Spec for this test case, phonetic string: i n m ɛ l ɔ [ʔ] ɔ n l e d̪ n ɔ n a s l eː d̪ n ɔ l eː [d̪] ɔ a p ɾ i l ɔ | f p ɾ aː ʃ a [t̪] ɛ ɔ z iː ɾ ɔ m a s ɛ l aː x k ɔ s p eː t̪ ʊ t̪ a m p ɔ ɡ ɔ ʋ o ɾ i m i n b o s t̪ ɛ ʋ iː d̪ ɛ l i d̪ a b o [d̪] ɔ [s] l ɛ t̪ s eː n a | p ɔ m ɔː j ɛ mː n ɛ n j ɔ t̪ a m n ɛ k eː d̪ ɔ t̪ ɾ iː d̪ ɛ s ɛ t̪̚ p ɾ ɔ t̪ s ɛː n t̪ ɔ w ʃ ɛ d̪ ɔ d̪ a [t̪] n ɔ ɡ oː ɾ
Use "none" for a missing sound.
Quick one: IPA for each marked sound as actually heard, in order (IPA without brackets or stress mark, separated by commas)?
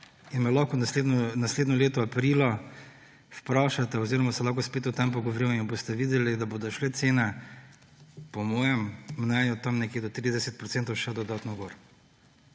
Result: k, t̪, t̪, d̪, ʃ, t̪